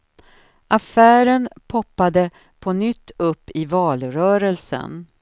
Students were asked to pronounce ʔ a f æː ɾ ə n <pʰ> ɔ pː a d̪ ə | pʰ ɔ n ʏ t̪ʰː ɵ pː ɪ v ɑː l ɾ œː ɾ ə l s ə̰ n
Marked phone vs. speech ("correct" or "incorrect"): correct